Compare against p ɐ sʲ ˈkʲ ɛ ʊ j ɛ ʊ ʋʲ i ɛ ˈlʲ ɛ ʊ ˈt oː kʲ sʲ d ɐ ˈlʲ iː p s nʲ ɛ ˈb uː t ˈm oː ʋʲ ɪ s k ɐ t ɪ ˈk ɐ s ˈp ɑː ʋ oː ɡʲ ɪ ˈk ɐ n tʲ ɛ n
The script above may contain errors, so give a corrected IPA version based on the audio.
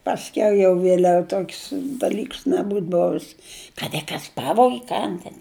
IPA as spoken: p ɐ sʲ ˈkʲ ɛ ʊ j ɛ ʊ ʋʲ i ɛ ˈlʲ ɛ ʊ ˈt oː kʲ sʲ d ɐ ˈlʲ iː k s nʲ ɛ ˈb uː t ˈb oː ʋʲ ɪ s k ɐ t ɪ ˈk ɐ s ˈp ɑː ʋ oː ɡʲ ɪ ˈk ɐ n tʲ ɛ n